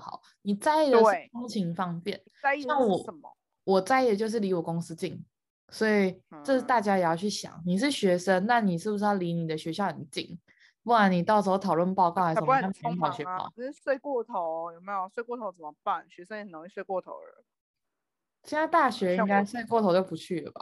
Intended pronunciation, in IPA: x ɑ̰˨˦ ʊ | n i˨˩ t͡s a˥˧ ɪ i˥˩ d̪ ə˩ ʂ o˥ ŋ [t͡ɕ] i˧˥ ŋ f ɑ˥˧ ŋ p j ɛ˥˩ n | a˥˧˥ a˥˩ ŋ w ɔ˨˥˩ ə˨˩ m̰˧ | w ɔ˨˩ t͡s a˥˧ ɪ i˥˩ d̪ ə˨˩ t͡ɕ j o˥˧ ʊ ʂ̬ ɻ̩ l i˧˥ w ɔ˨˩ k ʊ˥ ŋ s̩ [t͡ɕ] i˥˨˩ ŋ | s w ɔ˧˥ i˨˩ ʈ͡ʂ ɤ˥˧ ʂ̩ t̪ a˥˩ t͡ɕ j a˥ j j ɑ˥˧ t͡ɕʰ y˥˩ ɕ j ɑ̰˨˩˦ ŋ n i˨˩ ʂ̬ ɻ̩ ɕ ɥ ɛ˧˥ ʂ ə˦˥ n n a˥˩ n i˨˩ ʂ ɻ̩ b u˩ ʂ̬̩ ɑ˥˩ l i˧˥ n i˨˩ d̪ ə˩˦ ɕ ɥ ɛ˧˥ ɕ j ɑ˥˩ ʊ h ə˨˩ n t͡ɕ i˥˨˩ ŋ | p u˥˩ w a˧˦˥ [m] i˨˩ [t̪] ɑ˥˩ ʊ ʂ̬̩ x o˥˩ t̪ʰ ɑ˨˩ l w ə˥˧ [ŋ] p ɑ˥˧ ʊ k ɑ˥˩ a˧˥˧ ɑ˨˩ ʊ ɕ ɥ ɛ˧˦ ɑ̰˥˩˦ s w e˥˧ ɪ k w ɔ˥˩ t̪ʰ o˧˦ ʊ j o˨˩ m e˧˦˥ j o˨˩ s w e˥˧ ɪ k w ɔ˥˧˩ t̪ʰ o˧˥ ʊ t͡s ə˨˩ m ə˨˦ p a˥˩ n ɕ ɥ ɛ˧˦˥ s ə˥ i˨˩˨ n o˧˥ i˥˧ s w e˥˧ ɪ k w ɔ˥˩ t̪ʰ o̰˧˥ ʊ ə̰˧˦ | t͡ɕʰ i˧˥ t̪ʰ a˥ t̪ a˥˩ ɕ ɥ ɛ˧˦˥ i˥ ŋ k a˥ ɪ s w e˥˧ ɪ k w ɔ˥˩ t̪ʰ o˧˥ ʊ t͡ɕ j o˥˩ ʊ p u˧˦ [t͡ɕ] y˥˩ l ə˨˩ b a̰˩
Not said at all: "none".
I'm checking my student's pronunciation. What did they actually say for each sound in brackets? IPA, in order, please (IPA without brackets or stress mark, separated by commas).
t͡ɕʰ, t͡ɕ, n, t̪, n, t͡ɕʰ